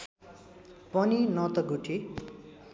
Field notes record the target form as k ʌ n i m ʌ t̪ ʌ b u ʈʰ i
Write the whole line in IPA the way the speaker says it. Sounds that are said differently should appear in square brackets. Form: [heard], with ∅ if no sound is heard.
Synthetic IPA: [p] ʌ n i [n] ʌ t̪ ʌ [ɡ] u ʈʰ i